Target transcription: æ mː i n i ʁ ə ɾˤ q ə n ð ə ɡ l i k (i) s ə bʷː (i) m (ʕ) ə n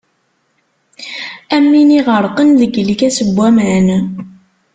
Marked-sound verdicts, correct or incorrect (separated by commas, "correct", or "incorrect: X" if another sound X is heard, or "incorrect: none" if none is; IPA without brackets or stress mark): incorrect: æ, incorrect: æ, correct